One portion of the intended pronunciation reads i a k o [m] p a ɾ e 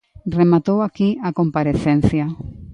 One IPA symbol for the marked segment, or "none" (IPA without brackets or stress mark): m